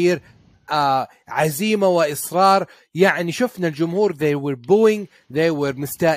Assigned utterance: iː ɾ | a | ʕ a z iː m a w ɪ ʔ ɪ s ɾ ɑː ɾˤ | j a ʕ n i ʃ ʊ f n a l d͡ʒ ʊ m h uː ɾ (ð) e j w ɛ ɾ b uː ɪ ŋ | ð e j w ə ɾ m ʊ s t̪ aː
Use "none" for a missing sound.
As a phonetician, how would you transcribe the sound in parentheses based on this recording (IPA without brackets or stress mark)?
ð